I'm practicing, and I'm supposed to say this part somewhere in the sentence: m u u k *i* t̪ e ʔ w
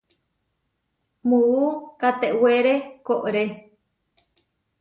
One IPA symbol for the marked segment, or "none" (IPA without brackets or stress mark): a